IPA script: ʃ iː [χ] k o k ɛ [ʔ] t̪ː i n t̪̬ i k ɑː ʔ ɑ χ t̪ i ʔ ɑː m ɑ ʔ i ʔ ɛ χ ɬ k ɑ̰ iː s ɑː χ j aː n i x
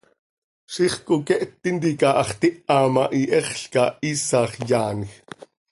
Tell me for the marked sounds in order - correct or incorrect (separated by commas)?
correct, correct